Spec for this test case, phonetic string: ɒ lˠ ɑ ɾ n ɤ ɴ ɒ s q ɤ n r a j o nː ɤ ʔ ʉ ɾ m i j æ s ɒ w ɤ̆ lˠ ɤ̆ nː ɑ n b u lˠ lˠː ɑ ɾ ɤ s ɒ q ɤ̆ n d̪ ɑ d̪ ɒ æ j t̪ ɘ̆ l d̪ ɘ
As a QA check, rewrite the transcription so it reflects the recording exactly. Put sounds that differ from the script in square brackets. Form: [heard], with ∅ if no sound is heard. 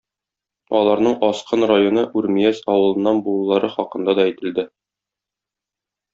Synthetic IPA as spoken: ɒ lˠ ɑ ɾ n ɤ ɴ ɒ s q ɤ n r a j o [n] ɤ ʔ ʉ ɾ m i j æ s ɒ w ɤ̆ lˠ ɤ̆ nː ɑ n b u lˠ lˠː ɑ ɾ ɤ [χ] ɒ q ɤ̆ n d̪ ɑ d̪ ɒ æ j t̪ ɘ̆ l d̪ ɘ